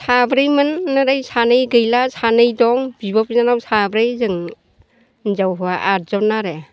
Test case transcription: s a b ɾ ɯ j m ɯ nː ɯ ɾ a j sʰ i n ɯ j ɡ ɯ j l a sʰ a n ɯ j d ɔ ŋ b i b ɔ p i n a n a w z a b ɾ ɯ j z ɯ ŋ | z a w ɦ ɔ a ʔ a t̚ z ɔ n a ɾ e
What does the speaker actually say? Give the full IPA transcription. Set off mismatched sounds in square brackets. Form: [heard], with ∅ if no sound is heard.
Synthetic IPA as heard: s a b ɾ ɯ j m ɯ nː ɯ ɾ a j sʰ [a] n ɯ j ɡ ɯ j l a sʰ a n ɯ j d ɔ ŋ b i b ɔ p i n a n a w [s] a b ɾ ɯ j z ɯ ŋ | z a w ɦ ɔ a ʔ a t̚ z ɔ n a ɾ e